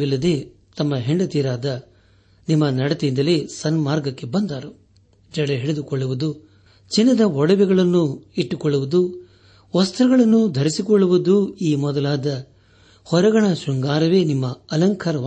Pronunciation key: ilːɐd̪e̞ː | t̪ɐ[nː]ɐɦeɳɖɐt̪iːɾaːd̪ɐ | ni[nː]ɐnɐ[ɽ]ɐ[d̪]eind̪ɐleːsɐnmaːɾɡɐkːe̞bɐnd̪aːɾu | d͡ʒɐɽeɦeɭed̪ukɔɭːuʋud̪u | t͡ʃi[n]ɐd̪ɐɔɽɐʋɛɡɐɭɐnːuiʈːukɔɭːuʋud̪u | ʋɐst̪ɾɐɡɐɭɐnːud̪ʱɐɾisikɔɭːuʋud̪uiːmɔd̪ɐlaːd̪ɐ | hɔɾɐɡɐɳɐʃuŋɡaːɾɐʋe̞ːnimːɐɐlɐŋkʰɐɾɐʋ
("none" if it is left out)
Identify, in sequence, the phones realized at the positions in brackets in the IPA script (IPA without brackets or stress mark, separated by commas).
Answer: mː, mː, ɽ, t̪, nː